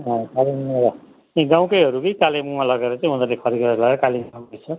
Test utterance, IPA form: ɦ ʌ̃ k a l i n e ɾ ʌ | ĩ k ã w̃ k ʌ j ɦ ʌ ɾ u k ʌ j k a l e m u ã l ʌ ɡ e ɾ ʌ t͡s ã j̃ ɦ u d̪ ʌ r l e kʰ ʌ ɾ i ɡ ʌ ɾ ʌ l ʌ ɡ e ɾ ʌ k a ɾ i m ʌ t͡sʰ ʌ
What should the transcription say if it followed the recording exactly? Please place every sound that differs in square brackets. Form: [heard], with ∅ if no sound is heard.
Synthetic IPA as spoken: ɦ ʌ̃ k a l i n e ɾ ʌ | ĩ [ɡ] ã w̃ k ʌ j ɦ ʌ ɾ u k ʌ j k a l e m u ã l ʌ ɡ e ɾ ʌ t͡s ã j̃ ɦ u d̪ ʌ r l e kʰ ʌ ɾ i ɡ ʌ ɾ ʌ l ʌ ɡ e ɾ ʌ k a [l] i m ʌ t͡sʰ ʌ

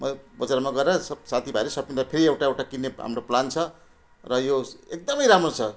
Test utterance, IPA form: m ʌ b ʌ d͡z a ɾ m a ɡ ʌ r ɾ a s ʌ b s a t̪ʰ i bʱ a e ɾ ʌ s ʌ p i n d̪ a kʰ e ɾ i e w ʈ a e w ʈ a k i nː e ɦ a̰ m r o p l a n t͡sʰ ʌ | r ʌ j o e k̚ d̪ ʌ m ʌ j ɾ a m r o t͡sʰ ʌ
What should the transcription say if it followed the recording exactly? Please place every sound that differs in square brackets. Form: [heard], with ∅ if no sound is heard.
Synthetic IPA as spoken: m ʌ b ʌ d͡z a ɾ m a ɡ ʌ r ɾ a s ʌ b s a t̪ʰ i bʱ a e ɾ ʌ s ʌ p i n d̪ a [pʰ] e ɾ i e w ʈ a e w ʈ a k i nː e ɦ a̰ m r o p l a n t͡sʰ ʌ | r ʌ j o e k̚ d̪ ʌ m ʌ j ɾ a m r o t͡sʰ ʌ

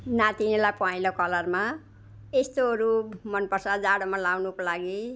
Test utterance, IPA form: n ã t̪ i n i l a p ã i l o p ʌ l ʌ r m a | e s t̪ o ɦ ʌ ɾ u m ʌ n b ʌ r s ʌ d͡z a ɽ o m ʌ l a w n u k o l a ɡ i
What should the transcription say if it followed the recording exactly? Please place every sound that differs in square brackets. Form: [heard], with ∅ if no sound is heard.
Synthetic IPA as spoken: n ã t̪ i n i l a p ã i l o [k] ʌ l ʌ r m a | e s t̪ o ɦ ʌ ɾ u m ʌ n [p] ʌ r s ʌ d͡z a ɽ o m [a] l a w n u k o l a ɡ i

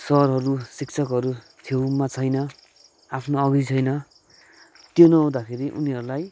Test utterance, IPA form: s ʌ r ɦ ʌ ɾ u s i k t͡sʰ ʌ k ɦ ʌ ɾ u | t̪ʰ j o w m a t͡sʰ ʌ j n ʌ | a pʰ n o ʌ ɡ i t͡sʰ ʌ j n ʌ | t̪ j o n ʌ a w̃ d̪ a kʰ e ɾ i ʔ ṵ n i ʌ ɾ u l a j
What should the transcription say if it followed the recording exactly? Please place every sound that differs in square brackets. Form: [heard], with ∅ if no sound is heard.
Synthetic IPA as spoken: s ʌ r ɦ ʌ ɾ u s i k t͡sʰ ʌ k ɦ ʌ ɾ u | t̪ʰ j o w m a t͡sʰ ʌ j n ʌ | a pʰ n o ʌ ɡ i t͡sʰ ʌ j n ʌ | t̪ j o n ʌ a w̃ d̪ a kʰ e ɾ i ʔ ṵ n i ʌ ɾ u l a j

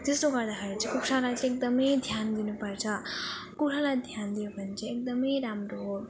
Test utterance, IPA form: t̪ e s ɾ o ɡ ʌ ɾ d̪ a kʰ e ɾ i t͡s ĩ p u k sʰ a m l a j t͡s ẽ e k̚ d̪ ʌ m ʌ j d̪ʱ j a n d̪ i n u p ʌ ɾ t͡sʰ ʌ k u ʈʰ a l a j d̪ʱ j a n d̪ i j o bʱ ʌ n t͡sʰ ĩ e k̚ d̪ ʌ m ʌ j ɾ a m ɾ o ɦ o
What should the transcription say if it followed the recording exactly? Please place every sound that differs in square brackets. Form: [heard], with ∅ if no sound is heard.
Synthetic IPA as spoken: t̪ e s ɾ o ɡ ʌ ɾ d̪ a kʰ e ɾ i t͡s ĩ [k] u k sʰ a [∅] l a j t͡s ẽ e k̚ d̪ ʌ m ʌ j d̪ʱ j a n d̪ i n u p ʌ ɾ t͡sʰ ʌ k u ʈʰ a l a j d̪ʱ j a n d̪ i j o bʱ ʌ n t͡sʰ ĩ e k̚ d̪ ʌ m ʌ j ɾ a m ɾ o ɦ o

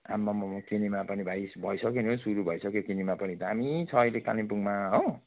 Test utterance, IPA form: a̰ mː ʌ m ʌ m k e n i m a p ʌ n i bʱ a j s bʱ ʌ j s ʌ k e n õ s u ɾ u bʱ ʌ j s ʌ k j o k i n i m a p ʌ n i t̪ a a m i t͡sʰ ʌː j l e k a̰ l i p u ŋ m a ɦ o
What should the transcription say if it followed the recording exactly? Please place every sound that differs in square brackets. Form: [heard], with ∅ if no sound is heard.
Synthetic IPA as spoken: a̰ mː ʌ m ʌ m k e n i m a p ʌ n i bʱ a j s bʱ ʌ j s ʌ k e n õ s u ɾ u bʱ ʌ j s ʌ k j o k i n i m a p ʌ n i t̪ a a m i t͡sʰ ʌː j l e k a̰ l i p u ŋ m a ɦ o

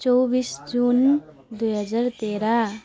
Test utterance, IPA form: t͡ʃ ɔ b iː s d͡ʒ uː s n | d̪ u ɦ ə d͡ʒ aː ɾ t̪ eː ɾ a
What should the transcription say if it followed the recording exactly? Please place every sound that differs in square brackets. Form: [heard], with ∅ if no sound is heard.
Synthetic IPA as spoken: t͡ʃ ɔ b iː s d͡ʒ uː [∅] n | d̪ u ɦ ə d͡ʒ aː ɾ t̪ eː ɾ a

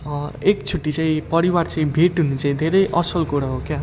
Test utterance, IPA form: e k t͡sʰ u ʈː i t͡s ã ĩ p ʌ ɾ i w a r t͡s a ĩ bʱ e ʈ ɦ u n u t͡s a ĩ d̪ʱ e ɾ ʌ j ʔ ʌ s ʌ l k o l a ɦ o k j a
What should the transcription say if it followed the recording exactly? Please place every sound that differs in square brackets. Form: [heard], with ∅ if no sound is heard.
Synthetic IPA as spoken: e k t͡sʰ u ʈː i t͡s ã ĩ p ʌ ɾ i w a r t͡s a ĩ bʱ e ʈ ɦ u n u t͡s a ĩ d̪ʱ e ɾ ʌ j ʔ ʌ s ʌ l k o [ɽ] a ɦ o k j a

